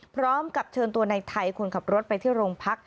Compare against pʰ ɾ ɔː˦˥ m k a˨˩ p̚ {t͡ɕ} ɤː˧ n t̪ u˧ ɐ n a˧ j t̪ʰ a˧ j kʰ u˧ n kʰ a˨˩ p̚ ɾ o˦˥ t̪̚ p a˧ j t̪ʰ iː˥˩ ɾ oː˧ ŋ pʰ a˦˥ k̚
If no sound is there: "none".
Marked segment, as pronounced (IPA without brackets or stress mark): t͡ɕʰ